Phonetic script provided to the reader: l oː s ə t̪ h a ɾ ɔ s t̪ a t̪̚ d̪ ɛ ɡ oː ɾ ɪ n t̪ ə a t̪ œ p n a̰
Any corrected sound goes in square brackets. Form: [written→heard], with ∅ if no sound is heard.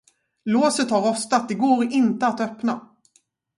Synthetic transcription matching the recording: l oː s ə t̪ h a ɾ ɔ s t̪ a t̪̚ d̪ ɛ ɡ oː ɾ ɪ n t̪ ə a t̪ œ p n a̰